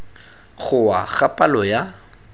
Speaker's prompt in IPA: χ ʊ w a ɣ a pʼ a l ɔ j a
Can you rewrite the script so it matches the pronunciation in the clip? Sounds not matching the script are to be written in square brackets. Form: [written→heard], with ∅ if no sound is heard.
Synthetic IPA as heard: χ ʊ w a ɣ a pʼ a l ɔ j a